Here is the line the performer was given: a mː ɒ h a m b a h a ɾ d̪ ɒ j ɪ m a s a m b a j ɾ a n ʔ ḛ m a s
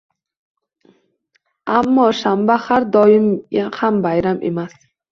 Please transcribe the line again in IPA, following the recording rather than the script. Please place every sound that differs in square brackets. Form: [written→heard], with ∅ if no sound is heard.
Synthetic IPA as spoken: a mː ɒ [h→ʃ] a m b a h a ɾ d̪ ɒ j ɪ m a [s→h] a m b a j ɾ a [n→m] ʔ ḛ m a s